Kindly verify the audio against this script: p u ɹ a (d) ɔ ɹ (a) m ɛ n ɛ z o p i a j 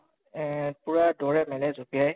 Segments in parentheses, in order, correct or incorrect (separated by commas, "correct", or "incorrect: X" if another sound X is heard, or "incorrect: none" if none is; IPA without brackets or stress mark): correct, incorrect: ɛ